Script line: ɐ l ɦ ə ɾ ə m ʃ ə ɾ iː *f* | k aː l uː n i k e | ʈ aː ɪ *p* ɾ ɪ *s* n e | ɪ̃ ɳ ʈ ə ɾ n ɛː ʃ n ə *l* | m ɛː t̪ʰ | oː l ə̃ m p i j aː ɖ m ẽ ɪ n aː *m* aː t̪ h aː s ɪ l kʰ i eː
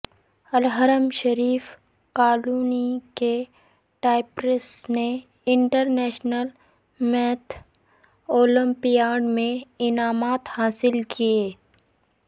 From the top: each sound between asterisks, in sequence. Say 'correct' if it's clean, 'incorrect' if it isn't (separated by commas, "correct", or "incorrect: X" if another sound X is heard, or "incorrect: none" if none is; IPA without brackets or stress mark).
correct, correct, correct, correct, correct